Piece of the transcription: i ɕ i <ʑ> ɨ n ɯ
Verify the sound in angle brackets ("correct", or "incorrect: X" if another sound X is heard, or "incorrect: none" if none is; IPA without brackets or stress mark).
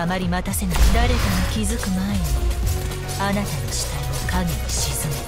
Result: incorrect: z